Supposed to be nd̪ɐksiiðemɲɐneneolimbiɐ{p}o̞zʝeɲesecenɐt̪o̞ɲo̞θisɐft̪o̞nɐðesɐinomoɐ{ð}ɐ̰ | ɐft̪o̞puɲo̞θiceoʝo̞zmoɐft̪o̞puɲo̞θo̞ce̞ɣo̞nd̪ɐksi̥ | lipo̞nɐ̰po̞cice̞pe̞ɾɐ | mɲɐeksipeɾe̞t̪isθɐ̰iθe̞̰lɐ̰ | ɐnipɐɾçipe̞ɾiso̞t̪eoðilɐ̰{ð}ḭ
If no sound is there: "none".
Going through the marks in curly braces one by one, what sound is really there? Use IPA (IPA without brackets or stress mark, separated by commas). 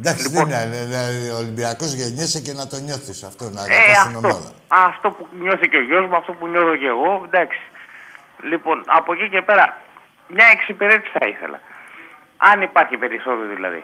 k, ð, ð